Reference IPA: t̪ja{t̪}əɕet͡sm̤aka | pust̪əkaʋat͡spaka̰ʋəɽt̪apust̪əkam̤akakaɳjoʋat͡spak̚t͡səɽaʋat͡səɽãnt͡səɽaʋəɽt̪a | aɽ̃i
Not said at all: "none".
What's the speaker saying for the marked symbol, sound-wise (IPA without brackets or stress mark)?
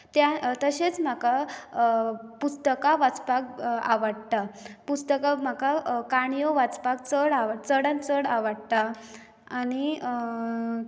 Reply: t̪